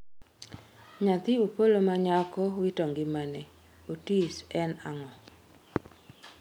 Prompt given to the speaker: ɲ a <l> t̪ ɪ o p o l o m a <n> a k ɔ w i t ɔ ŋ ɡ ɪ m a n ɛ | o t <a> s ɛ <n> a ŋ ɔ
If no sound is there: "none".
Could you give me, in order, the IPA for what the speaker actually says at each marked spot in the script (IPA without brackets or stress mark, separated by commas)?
none, ɲ, i, n